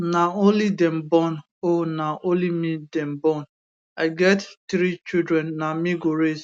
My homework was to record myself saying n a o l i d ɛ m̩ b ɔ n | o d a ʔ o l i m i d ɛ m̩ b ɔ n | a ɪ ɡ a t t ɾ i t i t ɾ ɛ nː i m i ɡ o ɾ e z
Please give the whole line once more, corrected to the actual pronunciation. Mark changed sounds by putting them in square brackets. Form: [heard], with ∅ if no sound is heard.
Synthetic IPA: n a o l i d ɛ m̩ b ɔ n | o [n] a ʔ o l i m i d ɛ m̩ b ɔ n | a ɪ ɡ [ɛ] t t ɾ i [t͡ʃ] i [d] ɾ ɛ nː [a] m i ɡ o ɾ e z

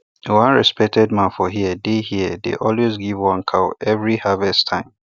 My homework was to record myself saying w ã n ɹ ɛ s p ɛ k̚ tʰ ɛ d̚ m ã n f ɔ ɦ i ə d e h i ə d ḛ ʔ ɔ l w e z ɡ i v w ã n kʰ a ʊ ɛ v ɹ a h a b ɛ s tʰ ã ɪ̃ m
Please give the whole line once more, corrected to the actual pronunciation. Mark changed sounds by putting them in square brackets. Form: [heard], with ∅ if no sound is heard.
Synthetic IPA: w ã n ɹ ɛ s p ɛ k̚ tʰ ɛ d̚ m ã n f ɔ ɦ i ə d e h i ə d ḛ ʔ ɔ l w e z ɡ i v w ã n kʰ a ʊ ɛ v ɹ [i] h a [v] ɛ s tʰ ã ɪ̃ m

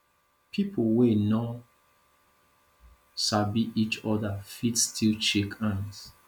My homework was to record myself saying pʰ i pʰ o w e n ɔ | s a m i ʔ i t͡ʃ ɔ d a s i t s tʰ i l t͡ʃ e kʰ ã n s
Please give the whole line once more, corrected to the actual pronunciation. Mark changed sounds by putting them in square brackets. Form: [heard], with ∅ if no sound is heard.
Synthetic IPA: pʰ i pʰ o w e n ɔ | s a [b] i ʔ i t͡ʃ ɔ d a [f] i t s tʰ i l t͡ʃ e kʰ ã n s

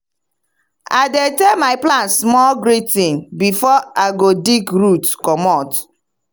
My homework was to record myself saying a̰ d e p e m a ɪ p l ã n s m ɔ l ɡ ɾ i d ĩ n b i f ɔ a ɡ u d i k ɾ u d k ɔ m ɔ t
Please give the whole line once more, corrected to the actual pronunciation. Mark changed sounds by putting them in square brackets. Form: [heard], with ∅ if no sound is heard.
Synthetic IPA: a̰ d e [t] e m a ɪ p l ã n s m ɔ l ɡ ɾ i [t] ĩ n b i f ɔ a ɡ [o] d i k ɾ u [t] k ɔ m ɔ t

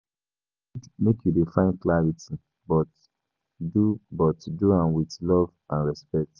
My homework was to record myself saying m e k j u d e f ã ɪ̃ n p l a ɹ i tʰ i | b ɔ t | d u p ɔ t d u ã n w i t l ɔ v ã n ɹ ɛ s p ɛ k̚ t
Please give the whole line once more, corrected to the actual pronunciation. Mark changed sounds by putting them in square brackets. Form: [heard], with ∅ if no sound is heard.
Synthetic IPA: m e k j u d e f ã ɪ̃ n [k] l a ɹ i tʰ i | b ɔ t | d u [b] ɔ t d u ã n w i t l ɔ v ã n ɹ ɛ s p ɛ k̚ t

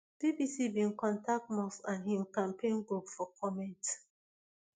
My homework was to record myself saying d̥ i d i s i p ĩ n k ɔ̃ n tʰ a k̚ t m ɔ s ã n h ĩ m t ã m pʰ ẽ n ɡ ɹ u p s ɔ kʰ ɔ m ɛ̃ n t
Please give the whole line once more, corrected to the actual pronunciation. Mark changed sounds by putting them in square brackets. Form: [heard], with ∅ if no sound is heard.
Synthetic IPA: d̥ i [b] i s i [b] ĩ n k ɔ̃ n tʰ a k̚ t m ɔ s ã n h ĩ m [k] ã m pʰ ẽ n ɡ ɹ u p [f] ɔ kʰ ɔ m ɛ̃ n t

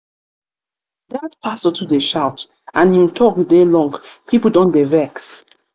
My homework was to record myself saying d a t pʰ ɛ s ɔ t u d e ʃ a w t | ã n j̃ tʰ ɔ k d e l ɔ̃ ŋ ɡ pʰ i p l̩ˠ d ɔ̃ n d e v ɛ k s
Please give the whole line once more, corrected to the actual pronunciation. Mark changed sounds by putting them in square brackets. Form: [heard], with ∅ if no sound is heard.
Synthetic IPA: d a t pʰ [a] s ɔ t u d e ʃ a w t | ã n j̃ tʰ ɔ k d e l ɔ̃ ŋ ɡ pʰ i p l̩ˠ d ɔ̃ n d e v ɛ k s

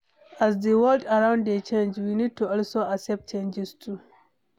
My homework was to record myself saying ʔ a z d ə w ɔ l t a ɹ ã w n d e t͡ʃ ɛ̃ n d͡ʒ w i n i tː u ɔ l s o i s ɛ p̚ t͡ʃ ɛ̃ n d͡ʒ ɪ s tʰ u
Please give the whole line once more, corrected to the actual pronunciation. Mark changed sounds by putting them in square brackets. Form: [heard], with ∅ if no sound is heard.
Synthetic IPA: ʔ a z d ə w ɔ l [d] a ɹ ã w n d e t͡ʃ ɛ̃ n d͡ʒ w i n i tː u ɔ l s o [a] s ɛ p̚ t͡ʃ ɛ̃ n d͡ʒ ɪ s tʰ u

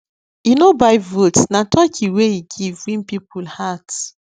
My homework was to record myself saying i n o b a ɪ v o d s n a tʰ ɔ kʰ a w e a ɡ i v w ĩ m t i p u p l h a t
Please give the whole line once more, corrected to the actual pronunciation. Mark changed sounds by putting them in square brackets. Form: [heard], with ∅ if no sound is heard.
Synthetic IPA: i n o b a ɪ v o [t] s n a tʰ ɔ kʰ [i] w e [i] ɡ i v w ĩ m [p] i p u [∅] l h a t

